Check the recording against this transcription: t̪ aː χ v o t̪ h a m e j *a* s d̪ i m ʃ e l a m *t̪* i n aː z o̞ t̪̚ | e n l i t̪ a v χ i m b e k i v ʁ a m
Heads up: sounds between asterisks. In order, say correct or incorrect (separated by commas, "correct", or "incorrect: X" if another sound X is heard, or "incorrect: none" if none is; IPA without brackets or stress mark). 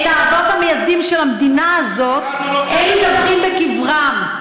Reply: correct, incorrect: d̪